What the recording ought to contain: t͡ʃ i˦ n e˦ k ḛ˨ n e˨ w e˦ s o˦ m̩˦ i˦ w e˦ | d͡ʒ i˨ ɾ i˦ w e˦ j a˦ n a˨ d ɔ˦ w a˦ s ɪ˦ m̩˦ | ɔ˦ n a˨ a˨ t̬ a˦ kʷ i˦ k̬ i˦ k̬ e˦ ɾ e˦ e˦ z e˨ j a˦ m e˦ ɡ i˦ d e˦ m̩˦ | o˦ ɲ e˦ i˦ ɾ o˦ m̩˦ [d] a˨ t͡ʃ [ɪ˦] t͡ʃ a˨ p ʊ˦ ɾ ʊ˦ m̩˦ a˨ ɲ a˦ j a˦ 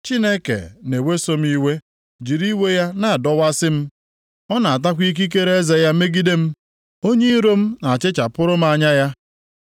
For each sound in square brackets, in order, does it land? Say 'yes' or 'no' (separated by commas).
no, yes